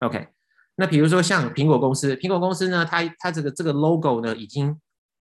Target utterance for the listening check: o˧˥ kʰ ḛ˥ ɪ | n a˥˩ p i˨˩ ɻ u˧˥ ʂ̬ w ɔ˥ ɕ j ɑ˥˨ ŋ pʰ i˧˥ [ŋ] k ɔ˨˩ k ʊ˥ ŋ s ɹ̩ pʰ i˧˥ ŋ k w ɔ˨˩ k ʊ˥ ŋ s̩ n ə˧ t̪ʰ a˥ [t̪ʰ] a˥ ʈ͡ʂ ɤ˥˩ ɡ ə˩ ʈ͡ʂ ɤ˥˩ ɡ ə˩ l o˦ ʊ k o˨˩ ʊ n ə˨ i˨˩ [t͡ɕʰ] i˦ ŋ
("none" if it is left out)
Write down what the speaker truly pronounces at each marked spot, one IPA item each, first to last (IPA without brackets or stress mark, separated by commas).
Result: ŋ, t̪ʰ, t͡ɕ